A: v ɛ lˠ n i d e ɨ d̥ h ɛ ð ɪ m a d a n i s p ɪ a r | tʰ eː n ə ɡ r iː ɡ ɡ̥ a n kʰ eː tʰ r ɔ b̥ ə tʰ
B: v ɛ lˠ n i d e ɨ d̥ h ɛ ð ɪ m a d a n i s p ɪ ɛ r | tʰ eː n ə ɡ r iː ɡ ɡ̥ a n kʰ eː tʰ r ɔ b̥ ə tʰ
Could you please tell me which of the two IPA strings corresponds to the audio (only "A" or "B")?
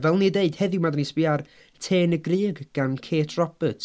A